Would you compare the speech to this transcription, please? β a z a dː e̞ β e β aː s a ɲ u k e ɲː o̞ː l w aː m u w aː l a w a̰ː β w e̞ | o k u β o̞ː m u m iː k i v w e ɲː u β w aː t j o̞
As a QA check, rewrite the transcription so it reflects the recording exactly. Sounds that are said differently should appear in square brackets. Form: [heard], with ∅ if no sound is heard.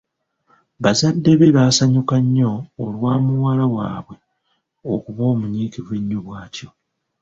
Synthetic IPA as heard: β a z a dː e̞ β e β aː s a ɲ u k [a] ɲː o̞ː l w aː m u w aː l a w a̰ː β w e̞ | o k u β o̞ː m u [ɲ] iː k i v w e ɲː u β w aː t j o̞